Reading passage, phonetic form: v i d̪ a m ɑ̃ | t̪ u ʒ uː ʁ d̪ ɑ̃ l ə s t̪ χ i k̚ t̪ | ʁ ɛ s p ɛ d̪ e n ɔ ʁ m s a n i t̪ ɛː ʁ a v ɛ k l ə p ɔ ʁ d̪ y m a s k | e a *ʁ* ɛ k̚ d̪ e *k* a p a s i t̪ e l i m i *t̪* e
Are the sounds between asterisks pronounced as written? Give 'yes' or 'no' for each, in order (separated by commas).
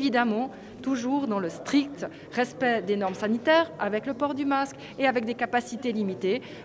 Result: no, yes, yes